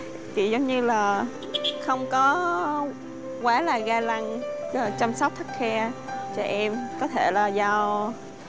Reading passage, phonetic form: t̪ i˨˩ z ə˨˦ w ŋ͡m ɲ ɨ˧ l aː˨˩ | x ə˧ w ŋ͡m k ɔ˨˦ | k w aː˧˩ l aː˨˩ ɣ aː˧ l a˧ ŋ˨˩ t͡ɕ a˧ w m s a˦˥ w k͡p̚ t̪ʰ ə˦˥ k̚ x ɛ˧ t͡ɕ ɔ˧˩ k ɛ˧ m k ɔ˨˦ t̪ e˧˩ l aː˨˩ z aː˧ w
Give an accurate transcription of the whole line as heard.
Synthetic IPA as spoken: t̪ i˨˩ z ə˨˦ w ŋ͡m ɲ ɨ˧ l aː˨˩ | x ə˧ w ŋ͡m k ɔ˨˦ | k w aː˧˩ l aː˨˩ ɣ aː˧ l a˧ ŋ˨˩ t͡ɕ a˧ m s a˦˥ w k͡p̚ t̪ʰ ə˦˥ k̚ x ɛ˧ t͡ɕ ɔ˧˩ ʔ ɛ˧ m k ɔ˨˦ t̪ʰ e˧˩ l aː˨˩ z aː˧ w